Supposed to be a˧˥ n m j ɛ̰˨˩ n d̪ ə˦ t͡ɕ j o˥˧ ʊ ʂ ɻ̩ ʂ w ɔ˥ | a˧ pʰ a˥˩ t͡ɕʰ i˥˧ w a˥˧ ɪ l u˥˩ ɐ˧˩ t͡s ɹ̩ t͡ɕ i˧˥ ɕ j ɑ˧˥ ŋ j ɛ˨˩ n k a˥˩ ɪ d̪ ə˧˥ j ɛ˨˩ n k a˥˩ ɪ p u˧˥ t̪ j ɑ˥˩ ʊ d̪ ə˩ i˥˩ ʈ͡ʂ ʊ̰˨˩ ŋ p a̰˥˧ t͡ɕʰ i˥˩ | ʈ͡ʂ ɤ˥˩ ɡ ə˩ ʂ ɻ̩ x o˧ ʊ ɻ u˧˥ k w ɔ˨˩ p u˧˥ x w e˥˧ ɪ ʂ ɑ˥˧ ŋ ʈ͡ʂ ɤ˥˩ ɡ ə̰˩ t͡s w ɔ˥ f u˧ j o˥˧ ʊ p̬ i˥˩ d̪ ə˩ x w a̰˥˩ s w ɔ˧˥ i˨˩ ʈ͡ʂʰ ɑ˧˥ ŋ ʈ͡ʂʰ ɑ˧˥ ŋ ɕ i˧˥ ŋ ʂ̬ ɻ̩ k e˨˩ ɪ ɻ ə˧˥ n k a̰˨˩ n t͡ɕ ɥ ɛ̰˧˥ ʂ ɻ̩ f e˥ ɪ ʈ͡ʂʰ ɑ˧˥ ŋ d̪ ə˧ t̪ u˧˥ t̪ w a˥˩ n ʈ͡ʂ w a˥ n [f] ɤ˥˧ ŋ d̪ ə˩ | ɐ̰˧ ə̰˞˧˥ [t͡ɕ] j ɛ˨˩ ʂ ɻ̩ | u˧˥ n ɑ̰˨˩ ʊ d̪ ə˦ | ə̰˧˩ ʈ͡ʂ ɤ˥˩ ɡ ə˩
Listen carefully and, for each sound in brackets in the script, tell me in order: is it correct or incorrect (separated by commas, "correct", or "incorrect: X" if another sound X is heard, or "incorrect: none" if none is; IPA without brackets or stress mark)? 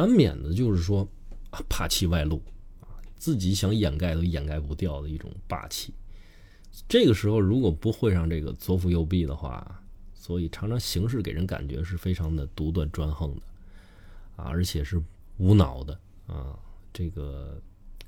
incorrect: x, incorrect: t͡ɕʰ